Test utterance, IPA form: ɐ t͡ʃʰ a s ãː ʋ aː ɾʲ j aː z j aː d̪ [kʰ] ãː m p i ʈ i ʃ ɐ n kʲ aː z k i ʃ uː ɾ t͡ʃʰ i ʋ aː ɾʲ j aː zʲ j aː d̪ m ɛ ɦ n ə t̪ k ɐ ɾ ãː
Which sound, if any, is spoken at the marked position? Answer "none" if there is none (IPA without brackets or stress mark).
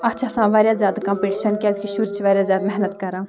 k